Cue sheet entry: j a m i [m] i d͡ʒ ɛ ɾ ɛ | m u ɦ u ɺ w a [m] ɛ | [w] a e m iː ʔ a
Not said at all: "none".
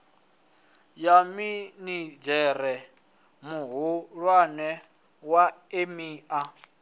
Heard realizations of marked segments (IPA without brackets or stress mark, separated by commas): n, n, w